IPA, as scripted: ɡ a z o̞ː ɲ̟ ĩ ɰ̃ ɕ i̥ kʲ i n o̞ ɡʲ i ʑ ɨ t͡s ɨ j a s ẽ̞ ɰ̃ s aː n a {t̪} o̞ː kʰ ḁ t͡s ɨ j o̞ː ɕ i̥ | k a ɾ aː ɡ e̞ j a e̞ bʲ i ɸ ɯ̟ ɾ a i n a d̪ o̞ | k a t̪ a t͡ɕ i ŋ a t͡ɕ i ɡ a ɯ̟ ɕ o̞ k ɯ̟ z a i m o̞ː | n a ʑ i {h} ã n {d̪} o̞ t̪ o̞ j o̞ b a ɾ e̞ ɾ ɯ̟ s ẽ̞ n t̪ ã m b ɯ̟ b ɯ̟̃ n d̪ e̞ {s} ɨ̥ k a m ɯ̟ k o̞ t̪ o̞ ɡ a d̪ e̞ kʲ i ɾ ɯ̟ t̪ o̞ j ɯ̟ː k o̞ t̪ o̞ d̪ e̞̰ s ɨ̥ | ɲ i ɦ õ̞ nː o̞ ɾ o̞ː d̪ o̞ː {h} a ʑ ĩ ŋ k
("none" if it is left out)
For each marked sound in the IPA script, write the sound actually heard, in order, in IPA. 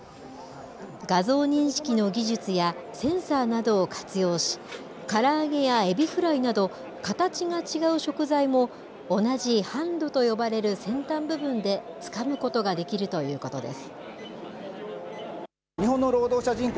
d̪, h, d̪, t͡s, ɕ

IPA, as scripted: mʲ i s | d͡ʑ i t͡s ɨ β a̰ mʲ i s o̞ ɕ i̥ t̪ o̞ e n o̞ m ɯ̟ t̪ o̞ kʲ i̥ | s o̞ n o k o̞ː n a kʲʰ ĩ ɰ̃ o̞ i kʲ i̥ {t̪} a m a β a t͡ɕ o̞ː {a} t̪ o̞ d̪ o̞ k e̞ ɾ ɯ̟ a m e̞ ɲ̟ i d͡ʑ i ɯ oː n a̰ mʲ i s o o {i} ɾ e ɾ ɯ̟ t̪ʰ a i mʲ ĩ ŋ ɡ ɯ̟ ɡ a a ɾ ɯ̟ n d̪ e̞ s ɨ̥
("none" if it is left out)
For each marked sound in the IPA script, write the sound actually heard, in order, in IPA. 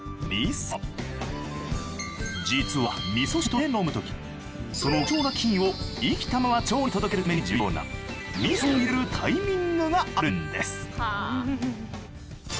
t̪, i, i

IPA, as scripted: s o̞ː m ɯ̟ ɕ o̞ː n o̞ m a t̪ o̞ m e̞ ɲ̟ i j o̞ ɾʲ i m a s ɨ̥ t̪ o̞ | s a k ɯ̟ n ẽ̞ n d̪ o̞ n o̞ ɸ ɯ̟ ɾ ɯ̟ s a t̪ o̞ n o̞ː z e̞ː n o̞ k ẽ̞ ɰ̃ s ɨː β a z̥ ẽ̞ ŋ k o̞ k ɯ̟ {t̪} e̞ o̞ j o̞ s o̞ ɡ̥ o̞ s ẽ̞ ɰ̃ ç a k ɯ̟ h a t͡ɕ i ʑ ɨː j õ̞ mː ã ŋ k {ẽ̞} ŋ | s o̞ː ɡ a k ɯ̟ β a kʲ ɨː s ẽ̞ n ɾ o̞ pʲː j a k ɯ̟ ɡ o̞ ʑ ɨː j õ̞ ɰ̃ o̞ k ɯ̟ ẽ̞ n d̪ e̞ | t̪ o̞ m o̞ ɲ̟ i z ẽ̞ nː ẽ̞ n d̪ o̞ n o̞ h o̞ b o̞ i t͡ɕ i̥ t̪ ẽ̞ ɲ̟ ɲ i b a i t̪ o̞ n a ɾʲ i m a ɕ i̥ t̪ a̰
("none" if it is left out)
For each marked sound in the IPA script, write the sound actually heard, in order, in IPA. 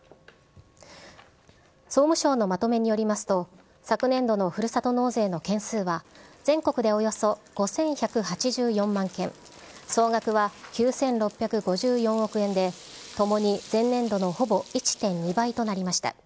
d̪, ẽ̞

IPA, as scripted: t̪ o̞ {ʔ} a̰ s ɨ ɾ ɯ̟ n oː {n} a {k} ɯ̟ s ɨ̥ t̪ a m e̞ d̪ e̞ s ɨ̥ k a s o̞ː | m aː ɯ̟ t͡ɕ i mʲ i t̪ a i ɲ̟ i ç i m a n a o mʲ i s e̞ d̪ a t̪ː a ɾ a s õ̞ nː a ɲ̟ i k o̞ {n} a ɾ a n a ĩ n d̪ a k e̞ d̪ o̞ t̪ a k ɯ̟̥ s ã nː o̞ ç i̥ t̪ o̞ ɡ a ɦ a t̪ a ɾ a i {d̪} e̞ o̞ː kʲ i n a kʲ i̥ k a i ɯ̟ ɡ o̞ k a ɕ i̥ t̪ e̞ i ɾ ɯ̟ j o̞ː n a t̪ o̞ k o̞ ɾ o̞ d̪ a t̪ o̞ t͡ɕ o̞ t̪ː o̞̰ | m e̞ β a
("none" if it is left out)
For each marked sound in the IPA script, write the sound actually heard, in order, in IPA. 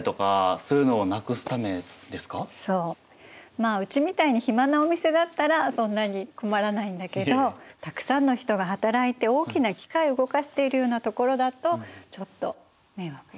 k, n, k, m, t̪

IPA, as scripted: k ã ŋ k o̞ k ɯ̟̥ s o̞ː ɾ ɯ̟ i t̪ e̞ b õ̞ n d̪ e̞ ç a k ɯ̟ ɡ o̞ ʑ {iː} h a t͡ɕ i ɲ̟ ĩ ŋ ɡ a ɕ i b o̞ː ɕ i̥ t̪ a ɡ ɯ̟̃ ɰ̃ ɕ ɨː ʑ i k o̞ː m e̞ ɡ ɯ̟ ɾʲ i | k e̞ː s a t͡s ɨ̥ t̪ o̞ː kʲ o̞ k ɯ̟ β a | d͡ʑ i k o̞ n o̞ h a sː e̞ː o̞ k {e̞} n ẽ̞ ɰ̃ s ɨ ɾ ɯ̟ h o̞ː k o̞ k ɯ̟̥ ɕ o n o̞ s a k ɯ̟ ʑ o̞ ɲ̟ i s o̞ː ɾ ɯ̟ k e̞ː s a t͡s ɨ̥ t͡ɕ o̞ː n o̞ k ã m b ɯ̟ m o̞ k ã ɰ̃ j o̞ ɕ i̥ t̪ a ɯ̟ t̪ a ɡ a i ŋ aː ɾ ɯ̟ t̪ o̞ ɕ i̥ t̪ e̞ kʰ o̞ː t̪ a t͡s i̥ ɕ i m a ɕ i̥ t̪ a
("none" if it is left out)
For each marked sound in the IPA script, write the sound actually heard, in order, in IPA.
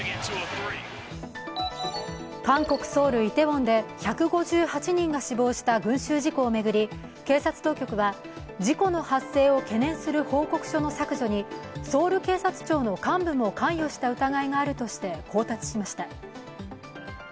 ɨː, e̞

